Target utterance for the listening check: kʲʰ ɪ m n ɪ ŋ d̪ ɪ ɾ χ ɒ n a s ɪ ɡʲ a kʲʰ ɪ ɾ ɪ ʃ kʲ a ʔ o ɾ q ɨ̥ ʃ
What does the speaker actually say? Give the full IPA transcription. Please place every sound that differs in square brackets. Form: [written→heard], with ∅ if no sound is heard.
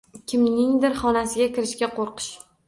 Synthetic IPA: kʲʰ ɪ m n ɪ ŋ d̪ ɪ ɾ χ ɒ n a s ɪ ɡʲ a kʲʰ ɪ ɾ ɪ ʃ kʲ a [ʔ→q] o ɾ q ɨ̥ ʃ